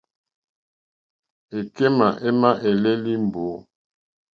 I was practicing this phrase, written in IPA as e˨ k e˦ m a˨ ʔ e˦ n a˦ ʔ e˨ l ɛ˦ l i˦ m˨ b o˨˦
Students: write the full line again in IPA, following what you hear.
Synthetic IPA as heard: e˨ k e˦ m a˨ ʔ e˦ m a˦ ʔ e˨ l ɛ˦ l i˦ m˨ b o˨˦